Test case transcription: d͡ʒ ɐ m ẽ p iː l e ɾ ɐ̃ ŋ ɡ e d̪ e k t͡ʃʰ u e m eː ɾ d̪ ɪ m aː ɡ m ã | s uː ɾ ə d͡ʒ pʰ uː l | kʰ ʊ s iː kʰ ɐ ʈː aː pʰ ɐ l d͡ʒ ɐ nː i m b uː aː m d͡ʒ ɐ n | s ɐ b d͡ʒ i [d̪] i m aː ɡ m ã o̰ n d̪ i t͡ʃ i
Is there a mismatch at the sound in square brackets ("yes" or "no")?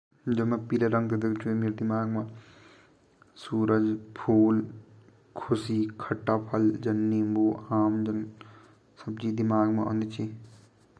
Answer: no